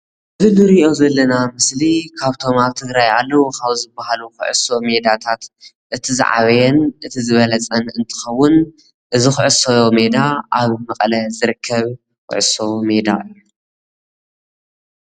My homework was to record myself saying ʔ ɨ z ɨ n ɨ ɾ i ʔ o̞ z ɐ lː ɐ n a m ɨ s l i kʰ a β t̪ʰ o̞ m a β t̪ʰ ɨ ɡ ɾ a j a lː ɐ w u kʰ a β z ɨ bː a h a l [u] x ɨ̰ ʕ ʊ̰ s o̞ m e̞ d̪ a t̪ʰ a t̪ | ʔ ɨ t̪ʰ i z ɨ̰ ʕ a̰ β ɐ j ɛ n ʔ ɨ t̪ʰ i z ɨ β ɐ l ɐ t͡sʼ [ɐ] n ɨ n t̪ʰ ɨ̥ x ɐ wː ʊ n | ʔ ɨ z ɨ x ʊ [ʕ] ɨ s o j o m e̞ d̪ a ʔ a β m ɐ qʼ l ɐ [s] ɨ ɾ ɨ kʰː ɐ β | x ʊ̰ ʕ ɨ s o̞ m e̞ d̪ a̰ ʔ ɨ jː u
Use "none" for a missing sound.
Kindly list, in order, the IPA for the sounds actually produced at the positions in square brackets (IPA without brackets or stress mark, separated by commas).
u, ɐ, ʕ, z